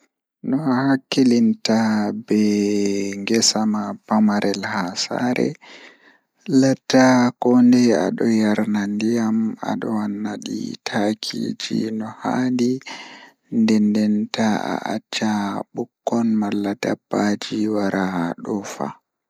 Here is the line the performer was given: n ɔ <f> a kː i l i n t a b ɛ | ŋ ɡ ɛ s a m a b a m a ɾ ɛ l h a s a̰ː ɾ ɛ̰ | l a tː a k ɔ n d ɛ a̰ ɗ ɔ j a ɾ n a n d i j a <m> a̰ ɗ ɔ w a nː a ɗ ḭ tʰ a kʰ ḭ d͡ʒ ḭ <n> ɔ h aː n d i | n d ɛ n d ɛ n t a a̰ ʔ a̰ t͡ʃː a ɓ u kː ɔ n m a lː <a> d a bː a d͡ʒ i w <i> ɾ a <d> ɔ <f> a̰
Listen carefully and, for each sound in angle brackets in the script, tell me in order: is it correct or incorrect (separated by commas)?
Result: incorrect, correct, correct, correct, incorrect, incorrect, correct